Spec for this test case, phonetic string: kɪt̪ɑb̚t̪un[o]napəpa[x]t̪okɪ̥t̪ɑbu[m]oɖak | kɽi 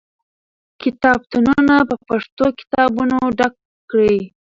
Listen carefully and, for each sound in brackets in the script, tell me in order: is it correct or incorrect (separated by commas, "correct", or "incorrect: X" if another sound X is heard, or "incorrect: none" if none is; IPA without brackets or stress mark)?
incorrect: u, incorrect: ʂ, incorrect: n